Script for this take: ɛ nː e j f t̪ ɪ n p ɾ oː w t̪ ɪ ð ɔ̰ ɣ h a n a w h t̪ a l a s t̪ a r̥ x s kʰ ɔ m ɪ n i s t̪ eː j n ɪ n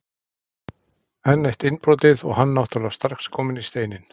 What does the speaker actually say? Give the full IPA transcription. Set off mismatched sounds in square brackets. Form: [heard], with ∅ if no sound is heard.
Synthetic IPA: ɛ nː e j [h] t̪ ɪ n p ɾ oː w t̪ ɪ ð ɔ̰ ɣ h a [nː] a w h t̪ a l a s t̪ a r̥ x s kʰ [ɔː] m ɪ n i s t̪ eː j n ɪ n

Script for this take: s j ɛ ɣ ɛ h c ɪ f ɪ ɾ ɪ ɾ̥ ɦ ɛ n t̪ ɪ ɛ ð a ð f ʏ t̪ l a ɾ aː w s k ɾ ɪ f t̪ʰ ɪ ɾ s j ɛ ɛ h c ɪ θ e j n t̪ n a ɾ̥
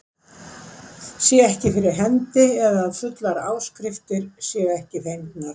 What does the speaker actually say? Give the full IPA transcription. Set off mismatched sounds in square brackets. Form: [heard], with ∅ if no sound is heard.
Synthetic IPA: s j ɛ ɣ ɛ h c ɪ f ɪ ɾ ɪ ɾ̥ ɦ ɛ n t̪ ɪ ɛ ð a ð f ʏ t̪ l a ɾ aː w s k ɾ ɪ f [t̪] ɪ ɾ s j ɛ ɛ h c ɪ θ e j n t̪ n a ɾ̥

